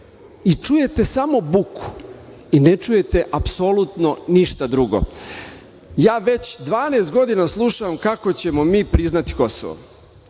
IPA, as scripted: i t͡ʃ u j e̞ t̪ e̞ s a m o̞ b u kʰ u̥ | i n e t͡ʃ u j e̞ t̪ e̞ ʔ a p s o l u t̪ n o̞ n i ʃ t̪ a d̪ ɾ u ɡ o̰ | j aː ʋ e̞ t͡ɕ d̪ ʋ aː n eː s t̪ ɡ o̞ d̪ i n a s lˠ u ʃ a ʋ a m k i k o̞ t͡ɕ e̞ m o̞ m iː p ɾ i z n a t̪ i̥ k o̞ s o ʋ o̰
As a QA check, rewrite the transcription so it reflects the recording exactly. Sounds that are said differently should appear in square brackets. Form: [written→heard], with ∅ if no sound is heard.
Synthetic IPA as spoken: i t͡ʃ u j e̞ t̪ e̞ s a m o̞ b u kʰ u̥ | i n e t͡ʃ u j e̞ t̪ e̞ ʔ a p s o l u t̪ n o̞ n i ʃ t̪ a d̪ ɾ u ɡ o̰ | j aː ʋ e̞ t͡ɕ d̪ ʋ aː n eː s t̪ ɡ o̞ d̪ i n a s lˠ u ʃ a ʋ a m k [i→a] k o̞ t͡ɕ e̞ m o̞ m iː p ɾ i z n a t̪ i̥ k o̞ s o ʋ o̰